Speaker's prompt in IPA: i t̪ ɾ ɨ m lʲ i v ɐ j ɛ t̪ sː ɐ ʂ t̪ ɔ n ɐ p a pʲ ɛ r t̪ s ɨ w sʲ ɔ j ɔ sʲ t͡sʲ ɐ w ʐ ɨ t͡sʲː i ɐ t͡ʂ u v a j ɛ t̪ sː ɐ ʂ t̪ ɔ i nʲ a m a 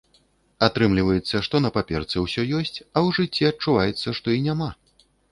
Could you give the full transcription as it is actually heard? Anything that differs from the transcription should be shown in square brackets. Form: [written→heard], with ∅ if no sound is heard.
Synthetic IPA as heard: [i→a] t̪ ɾ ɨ m lʲ i v ɐ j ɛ t̪ sː ɐ ʂ t̪ ɔ n ɐ p a pʲ ɛ r t̪ s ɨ w sʲ ɔ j ɔ sʲ t͡sʲ ɐ w ʐ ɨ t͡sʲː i ɐ t͡ʂ u v a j ɛ t̪ sː ɐ ʂ t̪ ɔ i nʲ a m a